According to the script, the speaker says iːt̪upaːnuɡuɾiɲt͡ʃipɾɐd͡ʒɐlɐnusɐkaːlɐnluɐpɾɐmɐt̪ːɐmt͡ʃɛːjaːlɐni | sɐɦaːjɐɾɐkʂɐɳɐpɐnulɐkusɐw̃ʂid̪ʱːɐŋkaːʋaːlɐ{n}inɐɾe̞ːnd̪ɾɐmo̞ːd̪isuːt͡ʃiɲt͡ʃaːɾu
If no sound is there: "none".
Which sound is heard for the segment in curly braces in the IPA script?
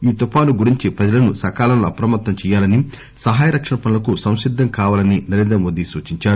n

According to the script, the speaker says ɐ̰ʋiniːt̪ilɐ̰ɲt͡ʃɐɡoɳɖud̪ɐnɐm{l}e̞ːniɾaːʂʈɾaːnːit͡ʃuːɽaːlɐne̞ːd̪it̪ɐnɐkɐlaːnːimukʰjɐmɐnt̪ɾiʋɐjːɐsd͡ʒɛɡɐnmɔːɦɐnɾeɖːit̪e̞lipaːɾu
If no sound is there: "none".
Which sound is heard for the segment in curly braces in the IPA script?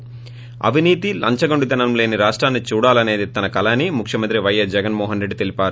l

